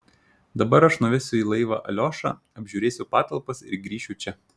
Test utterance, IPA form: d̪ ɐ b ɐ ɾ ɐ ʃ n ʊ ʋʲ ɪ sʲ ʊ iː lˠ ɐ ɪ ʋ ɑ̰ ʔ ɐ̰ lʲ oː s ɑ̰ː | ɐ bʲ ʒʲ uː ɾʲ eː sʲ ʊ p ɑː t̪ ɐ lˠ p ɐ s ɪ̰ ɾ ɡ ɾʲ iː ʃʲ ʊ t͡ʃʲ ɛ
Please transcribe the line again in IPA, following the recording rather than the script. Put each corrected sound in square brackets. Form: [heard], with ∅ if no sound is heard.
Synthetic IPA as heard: d̪ ɐ b ɐ ɾ ɐ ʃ n ʊ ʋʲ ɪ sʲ ʊ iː lˠ ɐ ɪ ʋ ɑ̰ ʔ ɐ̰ lʲ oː [ʃ] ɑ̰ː | ɐ bʲ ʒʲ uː ɾʲ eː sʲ ʊ p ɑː t̪ ɐ lˠ p ɐ s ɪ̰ ɾ ɡ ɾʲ iː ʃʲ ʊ t͡ʃʲ ɛ